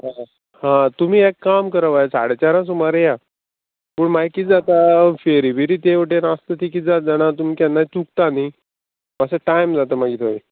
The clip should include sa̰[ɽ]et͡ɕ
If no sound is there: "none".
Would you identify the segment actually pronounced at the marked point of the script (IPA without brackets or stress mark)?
ɽ